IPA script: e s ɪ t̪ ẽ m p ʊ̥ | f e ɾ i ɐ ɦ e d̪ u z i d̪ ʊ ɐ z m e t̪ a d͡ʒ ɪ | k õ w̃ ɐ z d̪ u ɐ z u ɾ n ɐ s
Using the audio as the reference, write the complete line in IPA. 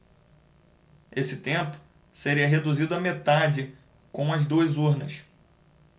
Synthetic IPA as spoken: e s ɪ t̪ ẽ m p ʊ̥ | s e ɾ i ɐ ɦ e d̪ u z i d̪ ʊ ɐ m e t̪ a d͡ʒ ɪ | k õ w̃ ɐ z d̪ u ɐ z u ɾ n ɐ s